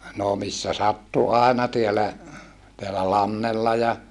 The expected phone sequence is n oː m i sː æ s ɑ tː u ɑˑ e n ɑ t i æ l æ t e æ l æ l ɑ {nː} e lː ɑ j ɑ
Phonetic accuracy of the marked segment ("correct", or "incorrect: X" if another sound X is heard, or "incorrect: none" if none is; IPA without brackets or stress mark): correct